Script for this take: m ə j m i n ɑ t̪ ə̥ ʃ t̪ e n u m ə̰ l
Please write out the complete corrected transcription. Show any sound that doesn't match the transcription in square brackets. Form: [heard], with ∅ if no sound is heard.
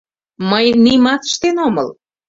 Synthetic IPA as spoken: m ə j [n] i [m] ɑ t̪ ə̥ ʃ t̪ e n [o] m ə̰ l